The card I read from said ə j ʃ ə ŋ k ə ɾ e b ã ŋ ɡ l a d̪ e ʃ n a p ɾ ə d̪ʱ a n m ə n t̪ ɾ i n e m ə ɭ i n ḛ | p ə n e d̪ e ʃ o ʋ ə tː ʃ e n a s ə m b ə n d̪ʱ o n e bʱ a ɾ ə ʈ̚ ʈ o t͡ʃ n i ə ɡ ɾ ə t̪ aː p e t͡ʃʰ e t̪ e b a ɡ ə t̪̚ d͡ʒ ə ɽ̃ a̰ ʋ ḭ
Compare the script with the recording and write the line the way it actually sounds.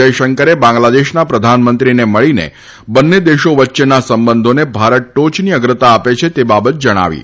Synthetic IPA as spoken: ə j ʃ ə ŋ k ə ɾ e b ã ŋ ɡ l a d̪ e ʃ n a p ɾ ə d̪ʱ a n m ə n t̪ ɾ i n e m ə ɭ i n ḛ | b ə nː e d̪ e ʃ o ʋ ə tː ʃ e n a s ə m b ə n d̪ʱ o n e bʱ a ɾ ə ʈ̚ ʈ o t͡ʃ n i ə ɡ ɾ ə t̪ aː p e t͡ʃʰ e t̪ e b a b ə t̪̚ d͡ʒ ə ɽ̃ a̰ ʋ ḭ